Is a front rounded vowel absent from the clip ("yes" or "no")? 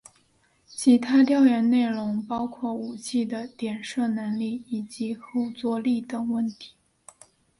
yes